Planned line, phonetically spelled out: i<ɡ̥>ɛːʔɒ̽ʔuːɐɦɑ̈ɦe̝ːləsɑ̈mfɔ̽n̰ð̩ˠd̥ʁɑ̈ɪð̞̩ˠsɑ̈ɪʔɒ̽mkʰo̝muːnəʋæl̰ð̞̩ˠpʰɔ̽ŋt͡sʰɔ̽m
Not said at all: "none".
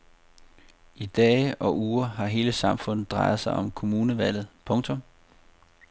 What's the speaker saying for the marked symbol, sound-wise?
d̥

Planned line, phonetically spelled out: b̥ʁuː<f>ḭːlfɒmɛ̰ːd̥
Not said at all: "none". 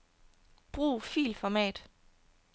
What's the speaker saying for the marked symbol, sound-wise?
f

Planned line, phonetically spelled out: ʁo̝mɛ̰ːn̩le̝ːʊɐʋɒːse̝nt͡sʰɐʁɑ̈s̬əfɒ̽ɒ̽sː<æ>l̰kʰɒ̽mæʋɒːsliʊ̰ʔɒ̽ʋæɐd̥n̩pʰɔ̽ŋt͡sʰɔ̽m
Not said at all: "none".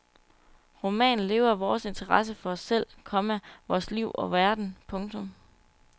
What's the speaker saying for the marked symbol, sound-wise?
e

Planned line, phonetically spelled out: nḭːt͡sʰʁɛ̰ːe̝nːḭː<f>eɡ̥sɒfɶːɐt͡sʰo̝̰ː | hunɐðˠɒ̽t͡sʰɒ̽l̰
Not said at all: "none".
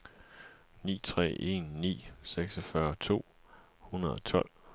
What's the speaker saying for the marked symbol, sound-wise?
s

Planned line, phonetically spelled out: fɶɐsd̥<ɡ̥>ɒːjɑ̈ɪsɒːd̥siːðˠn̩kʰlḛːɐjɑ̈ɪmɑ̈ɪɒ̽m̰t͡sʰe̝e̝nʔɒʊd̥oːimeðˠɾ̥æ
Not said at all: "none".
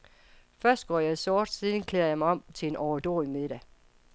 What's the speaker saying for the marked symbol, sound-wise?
ɡ̥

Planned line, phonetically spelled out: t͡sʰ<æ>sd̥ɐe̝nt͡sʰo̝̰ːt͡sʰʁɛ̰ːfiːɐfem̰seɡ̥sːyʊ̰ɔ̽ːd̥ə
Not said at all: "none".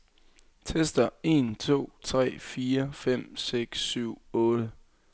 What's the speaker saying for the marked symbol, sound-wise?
e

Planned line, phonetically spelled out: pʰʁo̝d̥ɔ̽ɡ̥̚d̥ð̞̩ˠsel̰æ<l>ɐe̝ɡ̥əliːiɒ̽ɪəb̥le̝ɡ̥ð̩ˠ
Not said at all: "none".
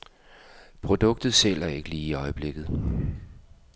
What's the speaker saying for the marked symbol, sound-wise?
none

